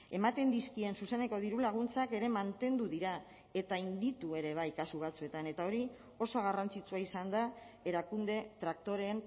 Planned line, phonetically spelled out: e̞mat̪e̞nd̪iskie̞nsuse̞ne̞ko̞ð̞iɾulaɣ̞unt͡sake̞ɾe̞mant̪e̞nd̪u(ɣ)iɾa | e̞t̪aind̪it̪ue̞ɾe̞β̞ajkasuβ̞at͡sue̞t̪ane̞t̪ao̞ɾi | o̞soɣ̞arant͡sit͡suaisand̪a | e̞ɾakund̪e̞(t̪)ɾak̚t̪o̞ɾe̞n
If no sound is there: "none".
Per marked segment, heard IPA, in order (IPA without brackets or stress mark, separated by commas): ð, t̪